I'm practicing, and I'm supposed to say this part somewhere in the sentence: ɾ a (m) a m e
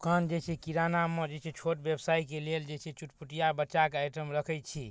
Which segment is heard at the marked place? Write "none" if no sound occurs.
n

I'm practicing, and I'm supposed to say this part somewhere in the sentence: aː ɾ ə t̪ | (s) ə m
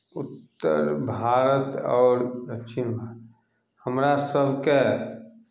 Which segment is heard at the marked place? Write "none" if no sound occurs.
h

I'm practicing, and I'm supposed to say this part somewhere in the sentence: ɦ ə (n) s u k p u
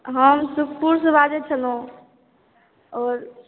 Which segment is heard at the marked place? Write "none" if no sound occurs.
m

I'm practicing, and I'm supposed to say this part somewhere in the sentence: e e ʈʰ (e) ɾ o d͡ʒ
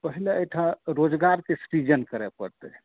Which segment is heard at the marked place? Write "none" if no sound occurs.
a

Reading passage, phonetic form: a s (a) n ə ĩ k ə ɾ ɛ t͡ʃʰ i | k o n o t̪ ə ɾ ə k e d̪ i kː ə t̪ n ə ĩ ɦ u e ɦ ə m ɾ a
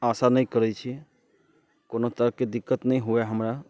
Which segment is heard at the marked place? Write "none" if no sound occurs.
a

